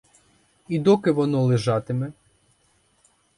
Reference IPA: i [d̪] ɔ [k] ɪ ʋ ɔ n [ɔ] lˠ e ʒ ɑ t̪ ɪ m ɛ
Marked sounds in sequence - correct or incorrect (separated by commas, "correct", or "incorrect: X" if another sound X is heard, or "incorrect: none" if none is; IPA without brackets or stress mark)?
correct, correct, correct